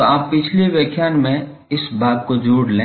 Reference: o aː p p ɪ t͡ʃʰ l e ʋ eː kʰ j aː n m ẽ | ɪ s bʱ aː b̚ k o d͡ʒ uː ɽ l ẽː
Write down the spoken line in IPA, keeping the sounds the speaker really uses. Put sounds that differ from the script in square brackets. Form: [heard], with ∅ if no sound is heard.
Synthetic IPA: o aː p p ɪ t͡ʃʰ l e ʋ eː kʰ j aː n m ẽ | ɪ s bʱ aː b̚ k o d͡ʒ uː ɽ l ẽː

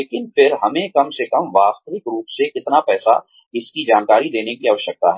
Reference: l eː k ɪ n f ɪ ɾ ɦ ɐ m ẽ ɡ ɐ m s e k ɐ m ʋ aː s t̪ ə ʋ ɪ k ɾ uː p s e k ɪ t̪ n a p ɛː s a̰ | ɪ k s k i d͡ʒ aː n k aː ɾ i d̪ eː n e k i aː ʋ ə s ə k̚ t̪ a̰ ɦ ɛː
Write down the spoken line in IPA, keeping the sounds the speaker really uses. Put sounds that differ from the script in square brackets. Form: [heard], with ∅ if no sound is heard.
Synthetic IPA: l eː k ɪ n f ɪ ɾ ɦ ɐ m ẽ [k] ɐ m s e k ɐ m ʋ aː s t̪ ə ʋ ɪ k ɾ uː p s e k ɪ t̪ n a p ɛː s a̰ | ɪ [∅] s k i d͡ʒ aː n k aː ɾ i d̪ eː n e k i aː ʋ ə [ʃ] ə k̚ t̪ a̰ ɦ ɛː

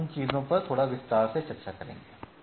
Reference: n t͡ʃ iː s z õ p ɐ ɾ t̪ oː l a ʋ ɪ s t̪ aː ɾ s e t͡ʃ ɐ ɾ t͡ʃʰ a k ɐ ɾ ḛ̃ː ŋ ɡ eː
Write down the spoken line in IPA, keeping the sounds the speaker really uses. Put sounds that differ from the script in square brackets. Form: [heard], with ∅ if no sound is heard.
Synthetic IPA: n t͡ʃ iː [∅] z õ p ɐ ɾ [t̪ʰ] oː [ɽ] a ʋ ɪ s t̪ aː ɾ s e t͡ʃ ɐ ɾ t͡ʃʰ a k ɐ ɾ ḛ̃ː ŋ ɡ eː

